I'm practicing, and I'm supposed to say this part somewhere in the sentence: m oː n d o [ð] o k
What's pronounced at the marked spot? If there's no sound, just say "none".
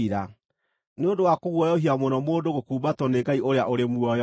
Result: ɣ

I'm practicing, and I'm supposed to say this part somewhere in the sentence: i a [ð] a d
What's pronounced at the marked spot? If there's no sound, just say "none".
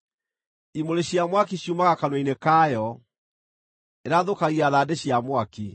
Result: ð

